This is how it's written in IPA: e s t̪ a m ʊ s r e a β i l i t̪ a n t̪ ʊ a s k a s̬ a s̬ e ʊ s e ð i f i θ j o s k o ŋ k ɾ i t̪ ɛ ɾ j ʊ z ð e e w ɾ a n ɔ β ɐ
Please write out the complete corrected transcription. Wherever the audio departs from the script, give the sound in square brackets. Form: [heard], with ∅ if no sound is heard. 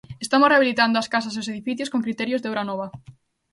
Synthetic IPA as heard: e s t̪ a m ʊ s r e a β i l i t̪ a n [d̪] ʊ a s k a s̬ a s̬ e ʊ s e ð i f i θ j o s k o ŋ k ɾ i t̪ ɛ ɾ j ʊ z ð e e w ɾ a n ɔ β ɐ